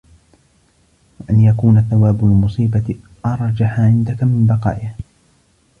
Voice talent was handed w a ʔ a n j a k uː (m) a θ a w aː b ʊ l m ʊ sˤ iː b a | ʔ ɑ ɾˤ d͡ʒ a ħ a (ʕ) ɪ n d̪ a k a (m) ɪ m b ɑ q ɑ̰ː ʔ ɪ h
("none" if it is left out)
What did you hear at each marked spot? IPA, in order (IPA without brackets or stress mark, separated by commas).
n, ʕ, m